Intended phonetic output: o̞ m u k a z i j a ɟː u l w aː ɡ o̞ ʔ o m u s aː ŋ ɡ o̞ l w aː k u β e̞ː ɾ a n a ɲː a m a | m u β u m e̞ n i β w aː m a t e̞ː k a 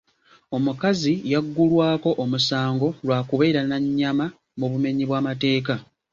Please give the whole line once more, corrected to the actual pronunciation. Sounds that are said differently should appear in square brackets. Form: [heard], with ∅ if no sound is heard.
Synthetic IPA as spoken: o̞ m u k a z i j a [ɡː] u l w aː [k] o̞ ʔ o m u s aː ŋ ɡ o̞ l w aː k u β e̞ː ɾ a n a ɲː a m a | m u β u m e̞ [ɲ] i β w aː m a t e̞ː k a